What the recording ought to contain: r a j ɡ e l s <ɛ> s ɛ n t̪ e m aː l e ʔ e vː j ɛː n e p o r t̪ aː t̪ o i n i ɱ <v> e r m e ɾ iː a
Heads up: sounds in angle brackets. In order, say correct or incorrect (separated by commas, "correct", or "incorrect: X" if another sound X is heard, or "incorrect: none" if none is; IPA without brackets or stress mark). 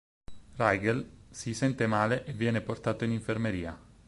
incorrect: i, incorrect: f